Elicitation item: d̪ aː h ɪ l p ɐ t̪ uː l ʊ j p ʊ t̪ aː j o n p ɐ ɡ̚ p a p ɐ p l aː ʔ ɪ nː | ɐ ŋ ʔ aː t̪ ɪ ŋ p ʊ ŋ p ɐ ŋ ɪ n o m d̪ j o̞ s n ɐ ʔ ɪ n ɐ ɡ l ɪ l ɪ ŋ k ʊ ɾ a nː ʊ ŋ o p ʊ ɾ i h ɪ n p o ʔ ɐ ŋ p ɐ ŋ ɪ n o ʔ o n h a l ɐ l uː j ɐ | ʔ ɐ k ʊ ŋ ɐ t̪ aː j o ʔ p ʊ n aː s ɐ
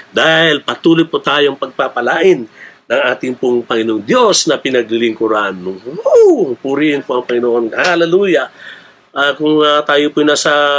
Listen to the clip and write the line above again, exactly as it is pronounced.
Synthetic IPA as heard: d̪ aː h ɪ l p ɐ t̪ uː l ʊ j p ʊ t̪ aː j o ŋ p ɐ ɡ̚ p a p ɐ l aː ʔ ɪ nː | ɐ ŋ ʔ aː t̪ ɪ ŋ p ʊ ŋ p ɐ ŋ ɪ n o ŋ d̪ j o̞ s n ɐ p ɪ n ɐ ɡ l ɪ l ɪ ŋ k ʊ ɾ a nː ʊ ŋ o p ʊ ɾ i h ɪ n p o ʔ ɐ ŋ p ɐ ŋ ɪ n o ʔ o n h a l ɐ l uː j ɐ | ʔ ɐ k ʊ ŋ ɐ t̪ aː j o p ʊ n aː s ɐ